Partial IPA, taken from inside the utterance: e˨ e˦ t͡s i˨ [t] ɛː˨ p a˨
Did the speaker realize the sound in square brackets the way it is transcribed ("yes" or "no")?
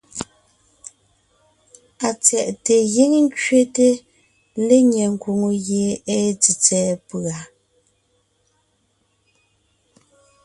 no